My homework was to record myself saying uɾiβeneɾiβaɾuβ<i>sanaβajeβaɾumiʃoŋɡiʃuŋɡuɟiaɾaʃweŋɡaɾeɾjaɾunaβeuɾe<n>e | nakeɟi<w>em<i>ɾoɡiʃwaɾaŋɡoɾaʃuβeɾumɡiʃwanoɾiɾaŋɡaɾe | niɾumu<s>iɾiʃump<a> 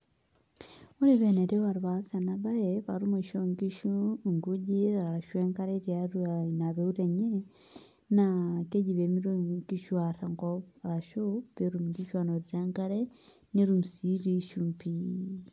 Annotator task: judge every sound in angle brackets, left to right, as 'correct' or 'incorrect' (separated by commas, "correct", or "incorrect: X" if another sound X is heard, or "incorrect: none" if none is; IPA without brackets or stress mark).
incorrect: a, incorrect: ɲ, incorrect: β, correct, correct, incorrect: i